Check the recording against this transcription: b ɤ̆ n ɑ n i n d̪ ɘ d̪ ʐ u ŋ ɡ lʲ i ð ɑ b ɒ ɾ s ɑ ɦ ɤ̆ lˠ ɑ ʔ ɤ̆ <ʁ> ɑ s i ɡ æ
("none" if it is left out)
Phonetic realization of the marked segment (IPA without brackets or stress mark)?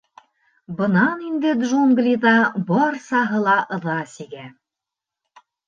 ð